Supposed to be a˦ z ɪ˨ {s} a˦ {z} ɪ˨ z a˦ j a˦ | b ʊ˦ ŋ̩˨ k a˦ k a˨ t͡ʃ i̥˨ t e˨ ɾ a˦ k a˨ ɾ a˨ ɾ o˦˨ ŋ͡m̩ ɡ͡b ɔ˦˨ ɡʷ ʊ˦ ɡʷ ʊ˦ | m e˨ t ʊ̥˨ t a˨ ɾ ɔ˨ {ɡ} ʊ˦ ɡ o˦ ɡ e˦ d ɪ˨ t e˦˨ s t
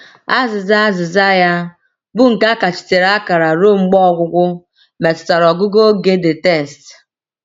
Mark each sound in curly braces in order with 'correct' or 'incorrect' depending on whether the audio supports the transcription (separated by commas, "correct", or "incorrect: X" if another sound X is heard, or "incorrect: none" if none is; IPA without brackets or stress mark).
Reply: incorrect: z, correct, correct